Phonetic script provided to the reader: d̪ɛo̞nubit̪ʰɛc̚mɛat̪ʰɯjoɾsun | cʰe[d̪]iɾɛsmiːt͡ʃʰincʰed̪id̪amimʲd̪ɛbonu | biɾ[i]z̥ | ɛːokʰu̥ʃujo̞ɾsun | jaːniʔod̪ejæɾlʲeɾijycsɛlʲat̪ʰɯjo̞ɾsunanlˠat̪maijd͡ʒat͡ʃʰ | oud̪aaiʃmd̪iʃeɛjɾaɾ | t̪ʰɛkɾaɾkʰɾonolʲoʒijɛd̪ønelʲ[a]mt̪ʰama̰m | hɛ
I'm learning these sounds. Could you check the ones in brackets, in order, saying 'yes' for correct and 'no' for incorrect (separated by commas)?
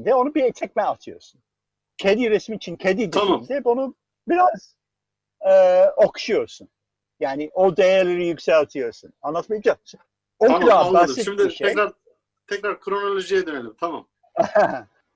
yes, no, no